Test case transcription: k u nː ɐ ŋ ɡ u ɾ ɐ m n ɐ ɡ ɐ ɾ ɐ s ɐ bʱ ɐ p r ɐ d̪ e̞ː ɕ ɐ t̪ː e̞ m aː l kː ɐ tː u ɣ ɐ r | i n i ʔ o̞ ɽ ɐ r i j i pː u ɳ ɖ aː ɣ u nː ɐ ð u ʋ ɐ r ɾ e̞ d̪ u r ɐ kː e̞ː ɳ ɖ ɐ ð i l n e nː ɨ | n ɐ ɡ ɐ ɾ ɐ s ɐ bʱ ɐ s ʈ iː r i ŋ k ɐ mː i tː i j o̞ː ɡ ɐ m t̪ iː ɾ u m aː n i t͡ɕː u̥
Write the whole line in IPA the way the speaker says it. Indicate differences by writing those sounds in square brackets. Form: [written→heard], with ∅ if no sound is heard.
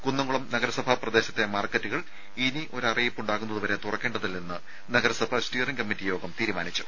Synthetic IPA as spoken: k u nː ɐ ŋ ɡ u [ɾ→ɭ] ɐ m n ɐ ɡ ɐ ɾ ɐ s ɐ bʱ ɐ p r ɐ d̪ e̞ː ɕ ɐ t̪ː e̞ m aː [l→r] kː ɐ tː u ɣ ɐ [r→ɭ] | i n i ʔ o̞ [ɽ→ɾ] ɐ r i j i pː u ɳ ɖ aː ɣ u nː ɐ ð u ʋ ɐ [r→∅] ɾ e̞ [d̪→t̪] u r ɐ kː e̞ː ɳ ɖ ɐ ð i l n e nː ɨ | n ɐ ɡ ɐ ɾ ɐ s ɐ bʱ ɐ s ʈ iː r i ŋ k ɐ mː i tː i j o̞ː ɡ ɐ m t̪ iː ɾ u m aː n i t͡ɕː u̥